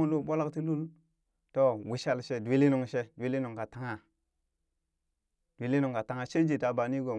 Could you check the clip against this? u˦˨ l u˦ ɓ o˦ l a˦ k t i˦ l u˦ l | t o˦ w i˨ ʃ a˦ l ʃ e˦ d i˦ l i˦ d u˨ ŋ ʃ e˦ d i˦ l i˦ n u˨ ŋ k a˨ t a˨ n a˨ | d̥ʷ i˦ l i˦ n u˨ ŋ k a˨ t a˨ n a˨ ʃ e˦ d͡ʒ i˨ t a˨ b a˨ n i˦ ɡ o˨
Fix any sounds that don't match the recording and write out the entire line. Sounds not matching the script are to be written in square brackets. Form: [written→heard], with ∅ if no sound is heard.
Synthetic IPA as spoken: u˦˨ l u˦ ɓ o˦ l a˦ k t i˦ l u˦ l | t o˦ w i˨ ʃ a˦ l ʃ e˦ d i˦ l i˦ [d→n] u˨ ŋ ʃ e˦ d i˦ l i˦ n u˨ ŋ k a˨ t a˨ [n→ŋ] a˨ | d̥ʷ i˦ l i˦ n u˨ ŋ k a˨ t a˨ [n→ŋ] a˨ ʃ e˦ d͡ʒ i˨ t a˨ b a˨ n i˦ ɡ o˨